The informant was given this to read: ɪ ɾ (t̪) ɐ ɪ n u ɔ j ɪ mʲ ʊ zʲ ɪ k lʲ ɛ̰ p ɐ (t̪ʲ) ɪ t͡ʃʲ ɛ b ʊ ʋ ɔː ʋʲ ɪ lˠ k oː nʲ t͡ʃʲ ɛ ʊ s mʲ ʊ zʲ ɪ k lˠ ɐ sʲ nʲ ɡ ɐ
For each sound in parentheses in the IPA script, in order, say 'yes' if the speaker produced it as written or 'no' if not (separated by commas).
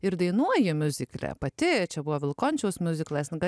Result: no, yes